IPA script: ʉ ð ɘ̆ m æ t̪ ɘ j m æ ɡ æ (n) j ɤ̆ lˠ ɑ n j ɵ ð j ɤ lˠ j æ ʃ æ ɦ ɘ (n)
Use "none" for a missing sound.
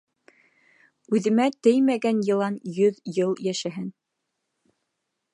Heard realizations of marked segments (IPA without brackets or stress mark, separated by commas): n, n